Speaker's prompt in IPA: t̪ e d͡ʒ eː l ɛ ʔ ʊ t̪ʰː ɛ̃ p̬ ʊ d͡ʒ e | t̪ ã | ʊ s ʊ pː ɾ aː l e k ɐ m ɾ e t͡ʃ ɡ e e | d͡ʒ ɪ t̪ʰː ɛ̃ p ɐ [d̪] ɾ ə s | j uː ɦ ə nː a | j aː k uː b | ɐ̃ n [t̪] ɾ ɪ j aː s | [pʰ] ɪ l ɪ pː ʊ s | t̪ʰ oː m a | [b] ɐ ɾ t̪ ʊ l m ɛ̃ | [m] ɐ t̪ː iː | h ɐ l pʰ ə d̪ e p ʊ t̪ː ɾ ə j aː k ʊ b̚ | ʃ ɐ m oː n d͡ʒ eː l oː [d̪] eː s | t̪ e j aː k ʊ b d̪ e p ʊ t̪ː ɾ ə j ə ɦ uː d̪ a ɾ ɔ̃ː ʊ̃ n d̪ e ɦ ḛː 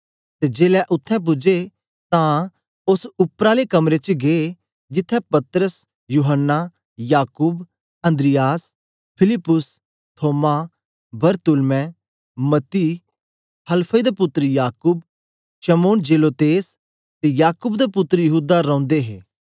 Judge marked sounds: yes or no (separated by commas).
no, no, yes, yes, yes, no